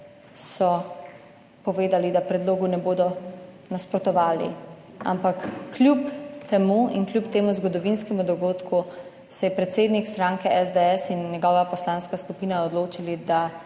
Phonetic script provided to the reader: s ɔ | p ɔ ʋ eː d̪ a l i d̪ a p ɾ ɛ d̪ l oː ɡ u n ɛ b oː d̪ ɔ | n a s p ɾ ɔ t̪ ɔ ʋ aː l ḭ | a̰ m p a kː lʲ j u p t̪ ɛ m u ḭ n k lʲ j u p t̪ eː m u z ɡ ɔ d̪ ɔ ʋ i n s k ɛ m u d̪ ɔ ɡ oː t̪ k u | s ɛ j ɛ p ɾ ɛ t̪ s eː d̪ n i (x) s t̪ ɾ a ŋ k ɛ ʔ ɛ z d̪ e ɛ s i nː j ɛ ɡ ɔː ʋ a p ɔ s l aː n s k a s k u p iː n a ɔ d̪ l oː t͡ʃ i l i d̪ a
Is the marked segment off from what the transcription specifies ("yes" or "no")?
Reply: yes